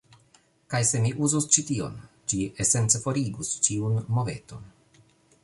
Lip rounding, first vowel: unrounded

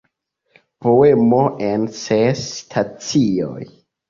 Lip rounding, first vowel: rounded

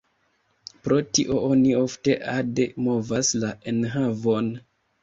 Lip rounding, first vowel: rounded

